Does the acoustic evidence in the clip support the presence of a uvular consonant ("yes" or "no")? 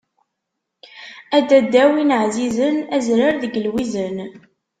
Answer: no